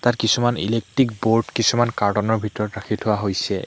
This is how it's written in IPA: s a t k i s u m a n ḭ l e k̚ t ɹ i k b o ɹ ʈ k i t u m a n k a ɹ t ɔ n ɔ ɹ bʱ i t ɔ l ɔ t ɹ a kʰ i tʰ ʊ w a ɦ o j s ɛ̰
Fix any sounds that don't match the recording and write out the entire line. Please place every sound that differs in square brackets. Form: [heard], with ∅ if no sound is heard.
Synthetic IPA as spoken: [t] a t k i s u m a n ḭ l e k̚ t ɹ i k b o ɹ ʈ k i [s] u m a n k a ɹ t ɔ n ɔ ɹ bʱ i t ɔ [ɹ] ɔ t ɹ a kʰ i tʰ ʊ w a ɦ o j s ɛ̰